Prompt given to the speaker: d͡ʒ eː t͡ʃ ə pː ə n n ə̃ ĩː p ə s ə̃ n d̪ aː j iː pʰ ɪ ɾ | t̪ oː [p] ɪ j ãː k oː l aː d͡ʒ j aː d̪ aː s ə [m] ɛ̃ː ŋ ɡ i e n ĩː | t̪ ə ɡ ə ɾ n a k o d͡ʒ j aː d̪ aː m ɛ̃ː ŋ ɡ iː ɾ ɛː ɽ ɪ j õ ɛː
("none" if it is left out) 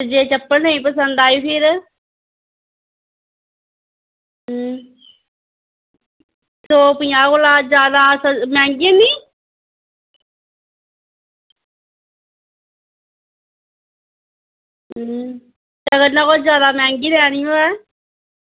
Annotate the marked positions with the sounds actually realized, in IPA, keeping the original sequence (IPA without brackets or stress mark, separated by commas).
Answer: p, m